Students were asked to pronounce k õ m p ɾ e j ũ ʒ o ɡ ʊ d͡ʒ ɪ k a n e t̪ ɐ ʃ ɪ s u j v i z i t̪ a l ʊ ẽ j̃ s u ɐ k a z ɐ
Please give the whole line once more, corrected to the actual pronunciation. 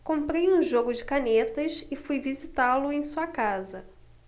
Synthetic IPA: k õ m p ɾ e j ũ ʒ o ɡ ʊ d͡ʒ ɪ k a n e t̪ ɐ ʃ ɪ f u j v i z i t̪ a l ʊ ẽ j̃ s u ɐ k a z ɐ